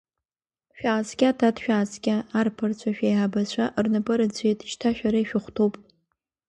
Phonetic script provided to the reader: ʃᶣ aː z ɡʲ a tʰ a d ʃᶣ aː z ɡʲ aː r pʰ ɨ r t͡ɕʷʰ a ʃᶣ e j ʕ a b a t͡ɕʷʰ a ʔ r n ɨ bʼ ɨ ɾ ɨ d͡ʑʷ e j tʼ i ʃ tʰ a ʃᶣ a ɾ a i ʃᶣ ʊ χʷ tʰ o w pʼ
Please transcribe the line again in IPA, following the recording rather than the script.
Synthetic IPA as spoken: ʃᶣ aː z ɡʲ a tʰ a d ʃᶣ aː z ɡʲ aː r pʰ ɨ r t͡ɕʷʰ a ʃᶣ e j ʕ a b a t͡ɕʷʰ a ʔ r n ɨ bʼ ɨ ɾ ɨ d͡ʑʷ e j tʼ i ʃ tʰ a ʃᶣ a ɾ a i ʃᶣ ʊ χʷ tʰ o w pʼ

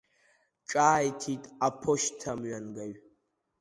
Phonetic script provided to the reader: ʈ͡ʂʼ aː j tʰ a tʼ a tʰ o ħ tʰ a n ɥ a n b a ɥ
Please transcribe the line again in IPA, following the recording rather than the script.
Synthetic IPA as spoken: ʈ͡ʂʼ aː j tʰ i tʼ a pʰ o ʃ tʰ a m ɥ a n ɡ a ɥ

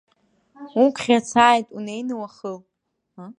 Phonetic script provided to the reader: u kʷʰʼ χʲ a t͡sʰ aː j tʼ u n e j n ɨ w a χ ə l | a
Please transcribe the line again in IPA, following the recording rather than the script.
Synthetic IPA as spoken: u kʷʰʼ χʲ a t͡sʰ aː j tʼ u n e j n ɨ w a χ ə l | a

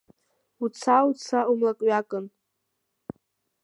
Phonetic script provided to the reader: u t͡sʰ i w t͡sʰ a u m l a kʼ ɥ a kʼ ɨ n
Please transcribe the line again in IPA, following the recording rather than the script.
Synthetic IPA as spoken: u t͡sʰ a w t͡sʰ a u m l a kʼ ɥ a kʼ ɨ n

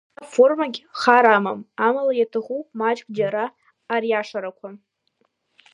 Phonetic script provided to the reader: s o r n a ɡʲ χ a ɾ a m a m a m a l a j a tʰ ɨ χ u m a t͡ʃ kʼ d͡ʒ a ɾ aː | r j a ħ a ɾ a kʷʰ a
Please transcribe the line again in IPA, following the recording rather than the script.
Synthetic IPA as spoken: f o r m a ɡʲ χ a ɾ a m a m a m a l a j a tʰ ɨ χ u m a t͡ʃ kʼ d͡ʒ a ɾ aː | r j a ʂ a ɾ a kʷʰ a

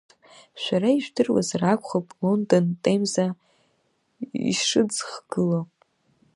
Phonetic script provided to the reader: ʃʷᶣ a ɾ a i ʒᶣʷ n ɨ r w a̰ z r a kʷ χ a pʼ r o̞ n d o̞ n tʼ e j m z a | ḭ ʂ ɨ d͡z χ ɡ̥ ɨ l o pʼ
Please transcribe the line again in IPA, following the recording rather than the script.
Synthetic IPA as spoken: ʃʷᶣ a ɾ a i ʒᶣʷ d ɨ r w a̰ z r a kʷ χ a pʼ l o̞ n d o̞ n tʼ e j m z a | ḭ ʂ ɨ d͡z χ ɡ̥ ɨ l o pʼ

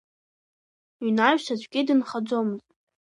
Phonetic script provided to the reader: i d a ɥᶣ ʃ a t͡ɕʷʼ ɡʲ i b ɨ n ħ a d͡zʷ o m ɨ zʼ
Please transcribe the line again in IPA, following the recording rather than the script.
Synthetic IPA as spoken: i n a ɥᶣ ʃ a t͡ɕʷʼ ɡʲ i d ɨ n χ a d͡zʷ o m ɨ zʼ

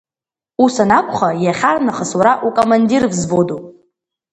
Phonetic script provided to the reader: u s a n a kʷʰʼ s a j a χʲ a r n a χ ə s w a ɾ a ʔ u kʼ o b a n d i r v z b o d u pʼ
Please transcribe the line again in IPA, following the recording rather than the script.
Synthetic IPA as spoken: u s a n a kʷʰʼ χ a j a χʲ a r n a χ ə s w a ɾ a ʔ u kʼ o m a n d i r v z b o d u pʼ

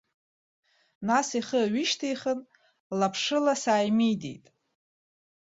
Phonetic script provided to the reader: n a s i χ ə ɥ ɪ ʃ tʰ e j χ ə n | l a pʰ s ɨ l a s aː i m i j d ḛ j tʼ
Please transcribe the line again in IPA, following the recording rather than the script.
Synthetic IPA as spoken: n a s i χ ə ɥ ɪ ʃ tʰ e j χ ə n | l a pʰ ʂ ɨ l a s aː j m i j d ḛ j tʼ

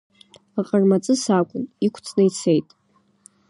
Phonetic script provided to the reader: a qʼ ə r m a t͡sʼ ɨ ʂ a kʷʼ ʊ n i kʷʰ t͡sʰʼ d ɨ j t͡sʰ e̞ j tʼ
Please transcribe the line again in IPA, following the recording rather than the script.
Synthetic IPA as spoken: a qʼ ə r m a t͡sʼ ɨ s a kʷʼ ʊ n i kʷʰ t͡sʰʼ n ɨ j t͡sʰ e̞ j tʼ

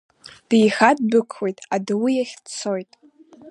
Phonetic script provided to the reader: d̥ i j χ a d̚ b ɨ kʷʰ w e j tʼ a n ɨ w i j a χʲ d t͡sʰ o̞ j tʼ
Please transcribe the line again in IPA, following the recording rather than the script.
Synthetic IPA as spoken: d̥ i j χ a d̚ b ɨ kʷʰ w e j tʼ a d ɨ w i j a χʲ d t͡sʰ o̞ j tʼ

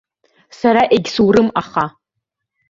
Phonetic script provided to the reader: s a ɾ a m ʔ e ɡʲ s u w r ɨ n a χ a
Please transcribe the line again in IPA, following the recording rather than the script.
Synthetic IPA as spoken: s a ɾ a ʔ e ɡʲ s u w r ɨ m a χ a

